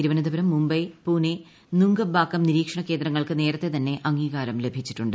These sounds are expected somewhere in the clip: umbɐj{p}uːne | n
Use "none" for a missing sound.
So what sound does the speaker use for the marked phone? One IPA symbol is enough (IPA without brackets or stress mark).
p